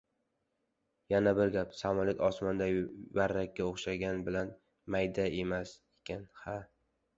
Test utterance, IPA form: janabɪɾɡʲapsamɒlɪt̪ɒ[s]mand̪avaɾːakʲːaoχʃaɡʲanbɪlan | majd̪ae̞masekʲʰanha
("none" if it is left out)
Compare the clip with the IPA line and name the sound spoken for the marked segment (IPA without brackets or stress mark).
s